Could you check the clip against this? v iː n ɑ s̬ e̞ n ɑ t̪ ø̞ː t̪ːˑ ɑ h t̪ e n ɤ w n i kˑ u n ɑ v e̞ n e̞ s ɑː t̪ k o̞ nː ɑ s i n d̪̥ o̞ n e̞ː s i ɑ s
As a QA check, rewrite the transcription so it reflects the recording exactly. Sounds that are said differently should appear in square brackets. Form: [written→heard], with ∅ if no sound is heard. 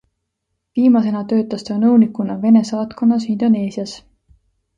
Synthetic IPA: v iː [n→m] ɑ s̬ e̞ n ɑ t̪ ø̞ː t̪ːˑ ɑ [h→s] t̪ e n ɤ w n i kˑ u n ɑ v e̞ n e̞ s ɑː t̪ k o̞ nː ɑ s i n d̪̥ o̞ n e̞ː s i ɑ s

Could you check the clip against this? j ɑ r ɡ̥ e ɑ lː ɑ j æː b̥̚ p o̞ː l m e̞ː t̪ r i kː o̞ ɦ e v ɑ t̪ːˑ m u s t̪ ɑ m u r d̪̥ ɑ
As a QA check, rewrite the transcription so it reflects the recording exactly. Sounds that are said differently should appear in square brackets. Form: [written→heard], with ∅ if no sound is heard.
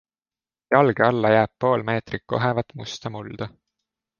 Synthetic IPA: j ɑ [r→l] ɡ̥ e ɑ lː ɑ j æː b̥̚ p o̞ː l m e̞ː t̪ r i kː o̞ ɦ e v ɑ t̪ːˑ m u s t̪ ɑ m u [r→l] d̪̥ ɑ

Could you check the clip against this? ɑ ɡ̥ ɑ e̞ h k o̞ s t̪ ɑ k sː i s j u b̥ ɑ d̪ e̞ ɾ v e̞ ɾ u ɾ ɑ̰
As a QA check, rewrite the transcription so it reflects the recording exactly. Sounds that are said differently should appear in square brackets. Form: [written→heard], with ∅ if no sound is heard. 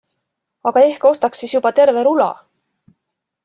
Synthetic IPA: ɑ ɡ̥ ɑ e̞ h k o̞ s t̪ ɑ k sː i s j u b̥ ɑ [d̪→t̪] e̞ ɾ v e̞ ɾ u [ɾ→l] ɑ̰

